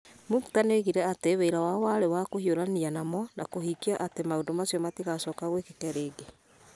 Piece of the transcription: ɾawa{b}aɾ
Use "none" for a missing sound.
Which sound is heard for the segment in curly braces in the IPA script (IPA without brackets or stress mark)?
w